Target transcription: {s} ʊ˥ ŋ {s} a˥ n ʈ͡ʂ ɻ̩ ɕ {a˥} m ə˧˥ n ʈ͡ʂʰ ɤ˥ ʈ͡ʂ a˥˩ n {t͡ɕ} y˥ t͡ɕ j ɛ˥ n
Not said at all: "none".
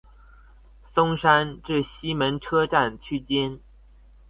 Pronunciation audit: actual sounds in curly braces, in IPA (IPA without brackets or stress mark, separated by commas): s, ʂ, i˥, t͡ɕʰ